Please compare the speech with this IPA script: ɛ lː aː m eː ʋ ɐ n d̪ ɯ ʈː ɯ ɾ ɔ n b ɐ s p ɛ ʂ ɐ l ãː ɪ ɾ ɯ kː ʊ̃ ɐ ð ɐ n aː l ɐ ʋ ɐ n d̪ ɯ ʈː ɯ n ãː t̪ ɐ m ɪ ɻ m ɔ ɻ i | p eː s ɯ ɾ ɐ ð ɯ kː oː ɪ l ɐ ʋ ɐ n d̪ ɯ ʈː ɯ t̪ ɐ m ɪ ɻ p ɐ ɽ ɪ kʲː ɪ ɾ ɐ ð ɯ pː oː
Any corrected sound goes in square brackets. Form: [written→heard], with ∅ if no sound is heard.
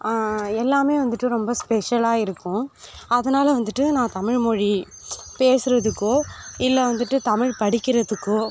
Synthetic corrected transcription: ɛ lː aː m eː ʋ ɐ n d̪ ɯ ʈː ɯ ɾ ɔ [n→m] b ɐ s p ɛ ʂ ɐ l [ãː→aː] ɪ ɾ ɯ kː ʊ̃ ɐ ð ɐ n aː l ɐ ʋ ɐ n d̪ ɯ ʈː ɯ n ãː t̪ ɐ m ɪ ɻ m ɔ ɻ i | p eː s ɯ ɾ ɐ ð ɯ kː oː ɪ [l→lː] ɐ ʋ ɐ n d̪ ɯ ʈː ɯ t̪ ɐ m ɪ ɻ p ɐ ɽ ɪ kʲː ɪ ɾ ɐ ð ɯ [pː→kː] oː

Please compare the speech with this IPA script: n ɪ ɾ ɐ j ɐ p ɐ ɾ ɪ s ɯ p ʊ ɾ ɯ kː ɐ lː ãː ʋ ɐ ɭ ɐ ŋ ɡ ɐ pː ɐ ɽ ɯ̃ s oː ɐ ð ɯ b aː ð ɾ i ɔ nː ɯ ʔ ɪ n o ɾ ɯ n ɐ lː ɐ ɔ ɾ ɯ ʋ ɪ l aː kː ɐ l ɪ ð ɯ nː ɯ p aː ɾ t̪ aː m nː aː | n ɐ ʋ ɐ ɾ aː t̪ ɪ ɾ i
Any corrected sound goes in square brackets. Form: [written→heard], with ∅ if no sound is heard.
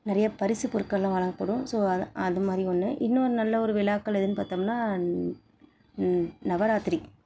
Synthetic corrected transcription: n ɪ ɾ ɐ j ɐ p ɐ ɾ ɪ s ɯ p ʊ ɾ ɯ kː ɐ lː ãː ʋ ɐ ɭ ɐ ŋ ɡ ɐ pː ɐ ɽ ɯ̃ s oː ɐ ð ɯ [b→m] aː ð ɾ i ɔ nː ɯ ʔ ɪ [n→nː] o ɾ ɯ n ɐ lː ɐ ɔ ɾ ɯ ʋ ɪ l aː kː ɐ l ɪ ð ɯ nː ɯ p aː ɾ t̪ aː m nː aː | n ɐ ʋ ɐ ɾ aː t̪ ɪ ɾ i

